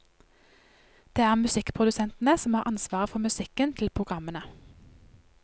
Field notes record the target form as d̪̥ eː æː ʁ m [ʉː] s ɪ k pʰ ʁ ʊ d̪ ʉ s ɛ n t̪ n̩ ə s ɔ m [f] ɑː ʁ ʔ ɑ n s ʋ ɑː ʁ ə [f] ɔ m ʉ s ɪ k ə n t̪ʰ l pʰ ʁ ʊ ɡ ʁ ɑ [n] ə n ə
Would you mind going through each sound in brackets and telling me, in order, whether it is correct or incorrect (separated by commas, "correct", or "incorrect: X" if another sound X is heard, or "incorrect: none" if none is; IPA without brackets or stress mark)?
incorrect: ʉ, incorrect: h, correct, incorrect: m